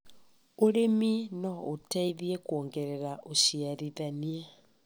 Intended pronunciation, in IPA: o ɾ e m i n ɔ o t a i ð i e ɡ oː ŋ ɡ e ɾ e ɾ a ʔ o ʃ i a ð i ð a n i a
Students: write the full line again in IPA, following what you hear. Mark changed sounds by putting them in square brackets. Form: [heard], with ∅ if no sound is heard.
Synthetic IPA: o ɾ e m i n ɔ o t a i ð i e [k] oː ŋ ɡ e ɾ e ɾ a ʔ o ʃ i a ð i ð a n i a